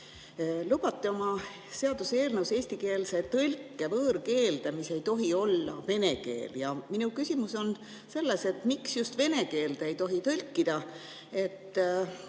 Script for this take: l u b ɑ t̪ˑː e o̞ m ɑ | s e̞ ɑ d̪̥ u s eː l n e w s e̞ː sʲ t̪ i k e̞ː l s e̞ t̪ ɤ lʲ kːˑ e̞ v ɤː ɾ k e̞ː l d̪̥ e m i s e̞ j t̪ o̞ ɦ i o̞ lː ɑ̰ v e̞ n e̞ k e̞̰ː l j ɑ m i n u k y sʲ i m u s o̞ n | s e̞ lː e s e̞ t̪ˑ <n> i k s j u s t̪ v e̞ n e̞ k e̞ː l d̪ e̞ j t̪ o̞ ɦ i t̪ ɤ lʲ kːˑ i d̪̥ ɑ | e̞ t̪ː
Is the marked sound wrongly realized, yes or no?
yes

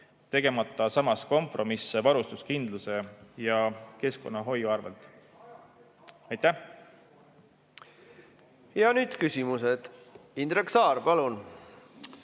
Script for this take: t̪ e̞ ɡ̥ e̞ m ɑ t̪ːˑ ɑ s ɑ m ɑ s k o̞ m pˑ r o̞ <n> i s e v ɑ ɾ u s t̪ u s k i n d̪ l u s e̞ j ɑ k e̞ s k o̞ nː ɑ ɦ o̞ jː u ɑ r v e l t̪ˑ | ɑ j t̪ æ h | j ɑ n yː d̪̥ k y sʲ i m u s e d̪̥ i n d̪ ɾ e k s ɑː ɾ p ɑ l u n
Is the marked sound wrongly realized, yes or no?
yes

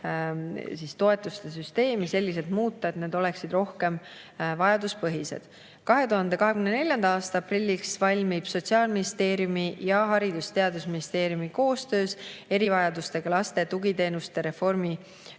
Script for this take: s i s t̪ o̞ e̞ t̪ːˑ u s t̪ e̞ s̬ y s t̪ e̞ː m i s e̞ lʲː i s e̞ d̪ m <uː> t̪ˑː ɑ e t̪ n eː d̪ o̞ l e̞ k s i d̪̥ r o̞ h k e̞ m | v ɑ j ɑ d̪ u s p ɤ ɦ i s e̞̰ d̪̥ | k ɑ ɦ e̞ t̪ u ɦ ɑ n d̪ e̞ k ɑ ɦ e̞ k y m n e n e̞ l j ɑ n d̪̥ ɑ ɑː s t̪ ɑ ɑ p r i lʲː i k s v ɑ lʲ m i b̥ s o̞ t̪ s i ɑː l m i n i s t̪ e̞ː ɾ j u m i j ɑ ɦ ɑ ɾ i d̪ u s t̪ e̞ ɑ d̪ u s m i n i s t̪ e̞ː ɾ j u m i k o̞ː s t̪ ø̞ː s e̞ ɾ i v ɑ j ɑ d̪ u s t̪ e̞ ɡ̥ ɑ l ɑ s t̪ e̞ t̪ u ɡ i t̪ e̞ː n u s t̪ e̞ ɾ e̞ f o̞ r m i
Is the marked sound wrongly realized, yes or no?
no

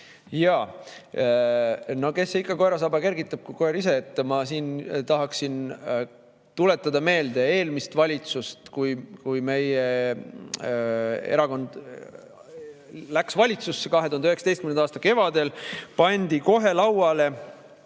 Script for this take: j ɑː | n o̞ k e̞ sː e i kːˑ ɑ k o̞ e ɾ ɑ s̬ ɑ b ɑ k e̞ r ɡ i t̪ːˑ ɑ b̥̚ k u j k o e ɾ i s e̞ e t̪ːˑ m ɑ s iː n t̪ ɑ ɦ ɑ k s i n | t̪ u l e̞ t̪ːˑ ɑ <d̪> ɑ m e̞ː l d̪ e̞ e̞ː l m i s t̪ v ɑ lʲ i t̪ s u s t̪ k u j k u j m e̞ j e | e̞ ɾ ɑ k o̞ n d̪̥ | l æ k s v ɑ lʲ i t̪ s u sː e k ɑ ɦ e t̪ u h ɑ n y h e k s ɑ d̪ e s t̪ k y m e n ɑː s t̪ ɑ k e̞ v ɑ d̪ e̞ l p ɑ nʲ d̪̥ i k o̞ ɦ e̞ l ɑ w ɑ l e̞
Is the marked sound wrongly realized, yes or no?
no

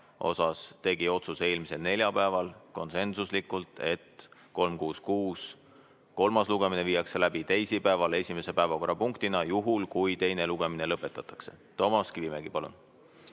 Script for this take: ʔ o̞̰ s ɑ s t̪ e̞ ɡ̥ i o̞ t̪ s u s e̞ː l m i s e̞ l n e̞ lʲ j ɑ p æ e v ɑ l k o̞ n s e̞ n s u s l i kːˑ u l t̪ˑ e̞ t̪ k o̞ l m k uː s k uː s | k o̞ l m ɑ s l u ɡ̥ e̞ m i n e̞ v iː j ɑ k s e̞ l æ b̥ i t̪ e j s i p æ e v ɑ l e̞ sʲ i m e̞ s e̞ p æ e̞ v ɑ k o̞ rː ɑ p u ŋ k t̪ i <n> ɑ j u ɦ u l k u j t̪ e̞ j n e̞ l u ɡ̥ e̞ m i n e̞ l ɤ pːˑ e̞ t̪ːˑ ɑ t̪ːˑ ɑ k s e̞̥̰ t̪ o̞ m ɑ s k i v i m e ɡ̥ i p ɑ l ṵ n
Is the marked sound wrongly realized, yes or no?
no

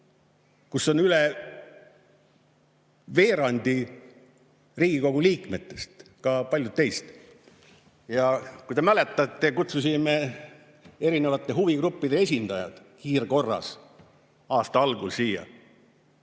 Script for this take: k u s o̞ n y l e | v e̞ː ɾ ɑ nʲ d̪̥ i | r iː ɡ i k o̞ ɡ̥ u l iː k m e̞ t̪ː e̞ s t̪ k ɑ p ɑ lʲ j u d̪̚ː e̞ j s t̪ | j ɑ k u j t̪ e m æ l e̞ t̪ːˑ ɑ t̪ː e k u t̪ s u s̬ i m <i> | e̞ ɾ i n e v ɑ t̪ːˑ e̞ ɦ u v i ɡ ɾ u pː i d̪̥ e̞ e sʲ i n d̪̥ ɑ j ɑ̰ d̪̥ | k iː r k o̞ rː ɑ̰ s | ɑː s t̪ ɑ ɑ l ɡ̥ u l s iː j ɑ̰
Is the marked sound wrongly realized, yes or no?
yes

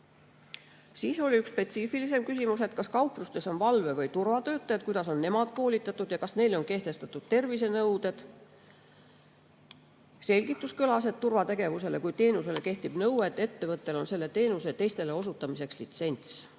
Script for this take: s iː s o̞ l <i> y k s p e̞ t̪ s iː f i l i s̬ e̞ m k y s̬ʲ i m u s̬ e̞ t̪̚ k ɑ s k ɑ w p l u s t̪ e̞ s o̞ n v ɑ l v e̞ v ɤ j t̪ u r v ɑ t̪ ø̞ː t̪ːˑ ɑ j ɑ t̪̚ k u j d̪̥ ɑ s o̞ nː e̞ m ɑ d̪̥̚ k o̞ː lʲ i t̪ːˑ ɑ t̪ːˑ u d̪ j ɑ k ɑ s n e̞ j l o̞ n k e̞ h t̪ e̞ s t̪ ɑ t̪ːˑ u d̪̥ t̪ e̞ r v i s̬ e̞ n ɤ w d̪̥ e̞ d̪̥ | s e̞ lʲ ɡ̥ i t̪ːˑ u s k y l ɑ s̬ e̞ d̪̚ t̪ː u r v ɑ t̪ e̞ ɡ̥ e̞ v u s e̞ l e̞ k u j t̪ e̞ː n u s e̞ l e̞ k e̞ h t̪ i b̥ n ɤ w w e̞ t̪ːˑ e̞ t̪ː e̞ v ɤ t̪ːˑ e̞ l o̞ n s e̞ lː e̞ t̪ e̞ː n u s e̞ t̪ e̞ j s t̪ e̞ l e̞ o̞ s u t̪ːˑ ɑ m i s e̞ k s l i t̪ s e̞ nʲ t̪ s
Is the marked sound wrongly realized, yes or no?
no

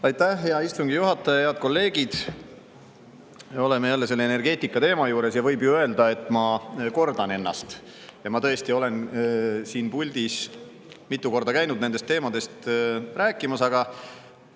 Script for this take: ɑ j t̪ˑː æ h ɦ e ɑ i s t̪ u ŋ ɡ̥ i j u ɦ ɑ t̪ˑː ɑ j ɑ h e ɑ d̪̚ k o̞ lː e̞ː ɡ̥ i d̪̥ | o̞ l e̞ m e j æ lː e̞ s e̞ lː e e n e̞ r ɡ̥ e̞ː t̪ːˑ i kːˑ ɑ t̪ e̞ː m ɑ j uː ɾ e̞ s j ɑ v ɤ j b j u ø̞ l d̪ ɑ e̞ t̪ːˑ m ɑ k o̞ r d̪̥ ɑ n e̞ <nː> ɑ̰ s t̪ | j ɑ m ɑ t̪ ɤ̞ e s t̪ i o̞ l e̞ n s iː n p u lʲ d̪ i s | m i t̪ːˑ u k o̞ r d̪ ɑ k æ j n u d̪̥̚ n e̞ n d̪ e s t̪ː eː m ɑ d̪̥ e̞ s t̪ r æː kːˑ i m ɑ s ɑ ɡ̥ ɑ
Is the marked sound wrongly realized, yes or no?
no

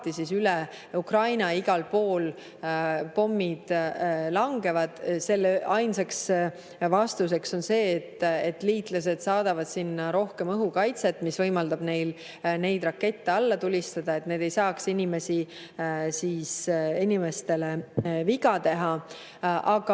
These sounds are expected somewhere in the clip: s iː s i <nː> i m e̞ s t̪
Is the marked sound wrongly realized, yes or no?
yes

